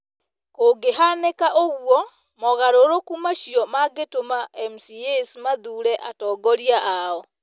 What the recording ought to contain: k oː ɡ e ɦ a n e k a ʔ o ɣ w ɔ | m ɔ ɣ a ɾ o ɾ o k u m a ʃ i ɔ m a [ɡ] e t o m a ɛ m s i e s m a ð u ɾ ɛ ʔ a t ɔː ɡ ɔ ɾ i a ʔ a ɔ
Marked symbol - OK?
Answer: yes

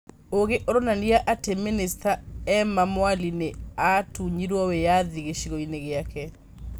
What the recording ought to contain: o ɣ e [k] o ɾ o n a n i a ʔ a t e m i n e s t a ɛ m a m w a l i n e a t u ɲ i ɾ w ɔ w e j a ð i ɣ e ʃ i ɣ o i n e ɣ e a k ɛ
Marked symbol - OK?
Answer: no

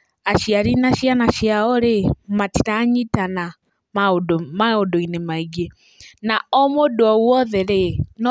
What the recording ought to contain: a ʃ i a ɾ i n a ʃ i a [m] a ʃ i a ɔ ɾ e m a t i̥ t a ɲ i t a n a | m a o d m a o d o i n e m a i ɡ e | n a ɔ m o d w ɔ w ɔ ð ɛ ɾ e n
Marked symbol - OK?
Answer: no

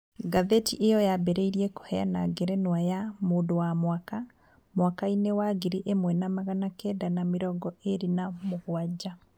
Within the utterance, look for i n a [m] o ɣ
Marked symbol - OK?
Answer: yes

